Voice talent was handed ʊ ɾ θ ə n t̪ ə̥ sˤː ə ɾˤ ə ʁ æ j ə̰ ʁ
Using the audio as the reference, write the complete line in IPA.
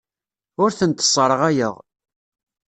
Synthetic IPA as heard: ʊ ɾ θ ə n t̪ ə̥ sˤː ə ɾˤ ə ʁ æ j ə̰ ʁ